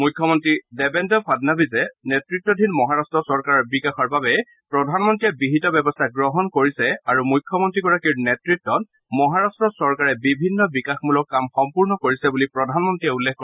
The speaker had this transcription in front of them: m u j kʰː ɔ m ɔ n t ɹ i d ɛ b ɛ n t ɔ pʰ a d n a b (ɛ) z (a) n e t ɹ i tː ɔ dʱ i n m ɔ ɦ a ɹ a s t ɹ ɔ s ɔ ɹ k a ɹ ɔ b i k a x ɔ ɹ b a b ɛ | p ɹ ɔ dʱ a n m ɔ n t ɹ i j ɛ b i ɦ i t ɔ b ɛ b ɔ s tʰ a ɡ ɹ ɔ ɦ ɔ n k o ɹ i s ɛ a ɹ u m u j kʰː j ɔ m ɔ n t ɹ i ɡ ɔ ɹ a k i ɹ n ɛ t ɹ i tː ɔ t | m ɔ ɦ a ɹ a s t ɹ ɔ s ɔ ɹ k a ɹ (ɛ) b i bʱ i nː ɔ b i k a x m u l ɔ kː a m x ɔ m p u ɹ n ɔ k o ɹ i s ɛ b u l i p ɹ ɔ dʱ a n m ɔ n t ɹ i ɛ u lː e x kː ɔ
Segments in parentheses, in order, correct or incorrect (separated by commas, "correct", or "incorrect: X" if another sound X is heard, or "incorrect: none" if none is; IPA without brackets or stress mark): incorrect: i, incorrect: ɛ, correct